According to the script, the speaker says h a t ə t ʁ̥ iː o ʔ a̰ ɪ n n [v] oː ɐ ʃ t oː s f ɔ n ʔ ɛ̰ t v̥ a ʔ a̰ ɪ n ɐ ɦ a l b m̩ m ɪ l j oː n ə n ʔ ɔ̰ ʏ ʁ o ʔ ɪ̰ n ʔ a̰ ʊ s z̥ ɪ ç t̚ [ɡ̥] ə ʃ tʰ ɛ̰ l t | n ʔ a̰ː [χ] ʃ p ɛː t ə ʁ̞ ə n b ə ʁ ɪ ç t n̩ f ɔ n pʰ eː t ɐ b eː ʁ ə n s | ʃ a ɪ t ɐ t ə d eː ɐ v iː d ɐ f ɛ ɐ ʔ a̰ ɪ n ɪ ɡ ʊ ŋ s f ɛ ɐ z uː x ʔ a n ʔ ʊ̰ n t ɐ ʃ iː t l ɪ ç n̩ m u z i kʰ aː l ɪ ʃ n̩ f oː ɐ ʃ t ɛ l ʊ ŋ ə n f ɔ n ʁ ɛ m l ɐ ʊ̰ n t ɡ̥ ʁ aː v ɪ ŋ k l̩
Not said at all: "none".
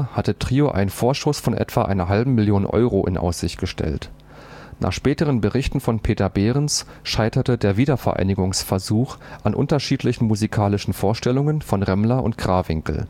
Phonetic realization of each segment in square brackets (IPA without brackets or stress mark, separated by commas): f, ɡ̥, χ